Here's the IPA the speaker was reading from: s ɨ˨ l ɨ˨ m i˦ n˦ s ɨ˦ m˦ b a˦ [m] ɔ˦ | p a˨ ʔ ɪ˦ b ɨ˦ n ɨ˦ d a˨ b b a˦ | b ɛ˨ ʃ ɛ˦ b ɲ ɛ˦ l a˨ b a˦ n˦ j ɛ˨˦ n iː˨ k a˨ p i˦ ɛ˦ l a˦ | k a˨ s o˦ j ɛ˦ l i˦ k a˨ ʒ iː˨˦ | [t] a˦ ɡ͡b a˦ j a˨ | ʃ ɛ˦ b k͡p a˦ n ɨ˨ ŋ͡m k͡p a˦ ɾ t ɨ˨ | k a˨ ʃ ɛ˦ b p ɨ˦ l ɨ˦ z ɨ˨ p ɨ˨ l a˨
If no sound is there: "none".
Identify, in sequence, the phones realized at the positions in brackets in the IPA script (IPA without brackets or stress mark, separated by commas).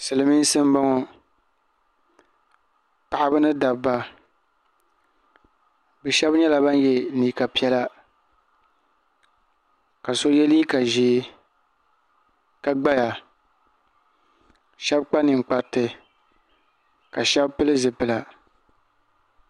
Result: ŋ, k